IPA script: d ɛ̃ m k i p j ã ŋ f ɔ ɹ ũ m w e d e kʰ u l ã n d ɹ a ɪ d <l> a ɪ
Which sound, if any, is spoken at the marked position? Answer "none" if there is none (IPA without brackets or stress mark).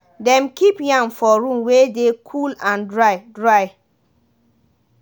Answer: ɹ